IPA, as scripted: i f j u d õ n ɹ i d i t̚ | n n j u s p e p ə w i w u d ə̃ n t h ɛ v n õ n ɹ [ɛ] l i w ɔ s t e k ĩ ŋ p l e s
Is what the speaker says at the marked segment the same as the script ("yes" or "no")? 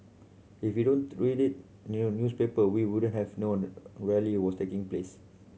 yes